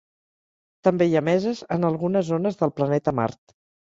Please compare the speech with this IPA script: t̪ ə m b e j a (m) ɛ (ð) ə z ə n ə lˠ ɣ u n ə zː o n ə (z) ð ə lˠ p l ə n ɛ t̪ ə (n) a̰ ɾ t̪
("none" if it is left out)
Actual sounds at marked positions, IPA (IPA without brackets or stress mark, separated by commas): m, z, z, m